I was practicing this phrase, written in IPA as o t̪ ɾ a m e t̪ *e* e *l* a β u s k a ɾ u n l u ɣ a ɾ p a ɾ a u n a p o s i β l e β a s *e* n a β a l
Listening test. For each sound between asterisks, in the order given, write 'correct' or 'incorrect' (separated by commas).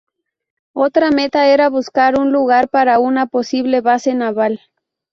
incorrect, incorrect, correct